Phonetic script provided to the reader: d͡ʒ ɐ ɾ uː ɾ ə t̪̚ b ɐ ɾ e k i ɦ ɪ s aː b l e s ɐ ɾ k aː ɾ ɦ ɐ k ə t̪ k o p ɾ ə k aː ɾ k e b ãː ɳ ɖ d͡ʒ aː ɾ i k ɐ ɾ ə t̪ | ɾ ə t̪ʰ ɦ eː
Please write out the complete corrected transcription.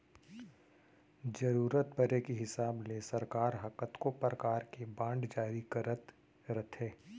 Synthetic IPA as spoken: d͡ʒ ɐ ɾ uː ɾ ə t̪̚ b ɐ ɾ e k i ɦ ɪ s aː b l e s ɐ ɾ k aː ɾ ɦ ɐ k ə t̪ k o p ɾ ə k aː ɾ k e b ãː ɳ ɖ d͡ʒ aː ɾ i k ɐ ɾ ə t̪ | ɾ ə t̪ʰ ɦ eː

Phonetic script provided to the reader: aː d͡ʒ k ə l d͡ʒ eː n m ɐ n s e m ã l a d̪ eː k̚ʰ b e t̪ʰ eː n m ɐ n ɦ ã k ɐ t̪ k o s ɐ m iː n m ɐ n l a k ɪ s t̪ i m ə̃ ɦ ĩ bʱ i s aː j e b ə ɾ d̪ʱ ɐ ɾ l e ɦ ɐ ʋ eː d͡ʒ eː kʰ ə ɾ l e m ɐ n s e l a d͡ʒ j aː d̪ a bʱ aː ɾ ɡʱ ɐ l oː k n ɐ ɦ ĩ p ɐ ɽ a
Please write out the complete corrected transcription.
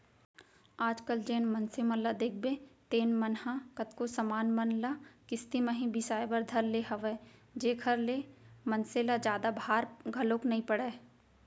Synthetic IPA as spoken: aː d͡ʒ k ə l d͡ʒ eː n m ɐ n s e m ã l a d̪ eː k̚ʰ b e t̪ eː n m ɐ n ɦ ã k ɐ t̪ k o s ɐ m aː n m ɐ n l a k ɪ s t̪ i m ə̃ ɦ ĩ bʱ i s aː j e b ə ɾ d̪ʱ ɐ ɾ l e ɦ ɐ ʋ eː d͡ʒ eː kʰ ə ɾ l e m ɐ n s e l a d͡ʒ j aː d̪ a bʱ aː ɾ ɡʱ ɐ l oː k n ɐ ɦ ĩ p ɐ ɽ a

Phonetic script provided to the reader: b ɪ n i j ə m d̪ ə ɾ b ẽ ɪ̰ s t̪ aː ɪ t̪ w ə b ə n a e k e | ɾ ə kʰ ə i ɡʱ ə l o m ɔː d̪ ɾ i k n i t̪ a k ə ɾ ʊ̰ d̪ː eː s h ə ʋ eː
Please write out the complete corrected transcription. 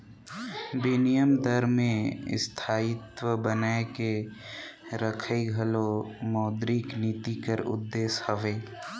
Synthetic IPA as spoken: b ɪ n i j ə m d̪ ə ɾ m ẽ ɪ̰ s t̪ʰ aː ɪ t̪ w ə b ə n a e k e | ɾ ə kʰ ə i ɡʱ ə l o m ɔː d̪ ɾ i k n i t̪ i k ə ɾ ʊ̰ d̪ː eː s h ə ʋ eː

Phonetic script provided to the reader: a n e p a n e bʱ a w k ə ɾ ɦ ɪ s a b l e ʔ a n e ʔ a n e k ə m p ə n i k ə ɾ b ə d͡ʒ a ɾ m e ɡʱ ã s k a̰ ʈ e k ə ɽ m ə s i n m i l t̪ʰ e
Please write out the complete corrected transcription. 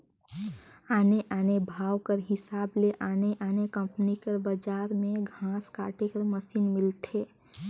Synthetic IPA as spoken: a n e ʔ a n e bʱ a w k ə ɾ ɦ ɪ s a b l e ʔ a n e ʔ a n e k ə m p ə n i k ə ɾ b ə d͡ʒ a ɾ m e ɡʱ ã s k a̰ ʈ e k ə ɾ m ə s i n m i l t̪ʰ e

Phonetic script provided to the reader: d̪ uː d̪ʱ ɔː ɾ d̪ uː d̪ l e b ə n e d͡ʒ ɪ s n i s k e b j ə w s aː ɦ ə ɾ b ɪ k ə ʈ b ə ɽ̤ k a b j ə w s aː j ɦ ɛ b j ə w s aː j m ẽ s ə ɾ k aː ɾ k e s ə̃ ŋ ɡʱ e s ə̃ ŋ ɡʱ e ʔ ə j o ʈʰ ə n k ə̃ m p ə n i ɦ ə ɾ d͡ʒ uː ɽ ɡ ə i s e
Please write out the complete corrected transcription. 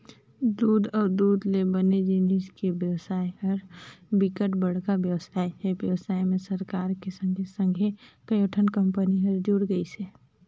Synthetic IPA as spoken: d̪ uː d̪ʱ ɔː ɾ d̪ uː d̪ l e b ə n e d͡ʒ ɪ n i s k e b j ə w s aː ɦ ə ɾ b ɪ k ə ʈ b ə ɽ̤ k a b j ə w s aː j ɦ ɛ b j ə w s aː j m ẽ s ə ɾ k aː ɾ k e s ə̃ ŋ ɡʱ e s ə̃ ŋ ɡʱ e k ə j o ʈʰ ə n k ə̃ m p ə n i ɦ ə ɾ d͡ʒ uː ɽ ɡ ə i s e

